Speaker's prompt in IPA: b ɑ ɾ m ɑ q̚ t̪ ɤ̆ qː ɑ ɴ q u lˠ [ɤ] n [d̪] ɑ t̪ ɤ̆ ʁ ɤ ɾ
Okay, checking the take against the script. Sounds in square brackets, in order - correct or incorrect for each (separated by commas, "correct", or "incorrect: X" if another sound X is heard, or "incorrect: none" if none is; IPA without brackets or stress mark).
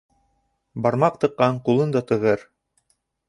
correct, correct